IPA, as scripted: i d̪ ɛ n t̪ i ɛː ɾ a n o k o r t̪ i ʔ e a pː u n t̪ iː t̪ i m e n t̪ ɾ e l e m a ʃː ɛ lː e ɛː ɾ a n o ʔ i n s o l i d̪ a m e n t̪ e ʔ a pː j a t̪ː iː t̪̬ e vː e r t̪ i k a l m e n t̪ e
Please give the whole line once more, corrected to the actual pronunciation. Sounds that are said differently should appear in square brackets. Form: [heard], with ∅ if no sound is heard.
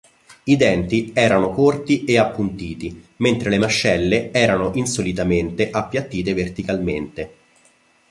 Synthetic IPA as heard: i d̪ ɛ n t̪ i ɛː ɾ a n o k o r t̪ i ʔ e a pː u n t̪ iː t̪ i m e n t̪ ɾ e l e m a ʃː ɛ lː e ɛː ɾ a n o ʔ i n s o l i [t̪] a m e n t̪ e ʔ a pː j a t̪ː iː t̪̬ e [v] e r t̪ i k a l m e n t̪ e